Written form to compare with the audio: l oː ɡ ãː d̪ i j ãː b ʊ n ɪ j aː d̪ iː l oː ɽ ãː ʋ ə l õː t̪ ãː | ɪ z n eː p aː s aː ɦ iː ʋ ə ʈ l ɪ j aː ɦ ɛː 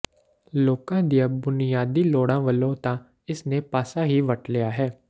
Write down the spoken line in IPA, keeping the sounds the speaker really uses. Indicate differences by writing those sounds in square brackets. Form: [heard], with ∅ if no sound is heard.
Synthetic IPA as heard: l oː [k] ãː d̪ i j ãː b ʊ n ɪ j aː d̪ iː l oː ɽ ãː ʋ ə l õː t̪ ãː | ɪ [s] n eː p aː s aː ɦ iː ʋ ə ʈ l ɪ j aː ɦ ɛː